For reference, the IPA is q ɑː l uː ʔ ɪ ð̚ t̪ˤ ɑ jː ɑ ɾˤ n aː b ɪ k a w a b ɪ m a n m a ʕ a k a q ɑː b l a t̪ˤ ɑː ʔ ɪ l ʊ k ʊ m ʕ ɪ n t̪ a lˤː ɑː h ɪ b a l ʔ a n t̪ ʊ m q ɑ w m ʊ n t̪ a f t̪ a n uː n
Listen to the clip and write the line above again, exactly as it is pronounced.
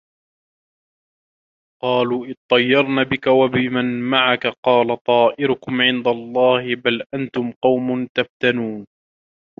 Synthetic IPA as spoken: q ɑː l uː ʔ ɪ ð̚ t̪ˤ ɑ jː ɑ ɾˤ n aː b ɪ k a w a b ɪ m a n m a ʕ a k a q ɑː l a t̪ˤ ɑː ʔ ɪ ɾ ʊ k ʊ m ʕ ɪ n d̪ a lˤː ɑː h ɪ b a l ʔ a n t̪ ʊ m q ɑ w m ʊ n t̪ a f t̪ a n uː n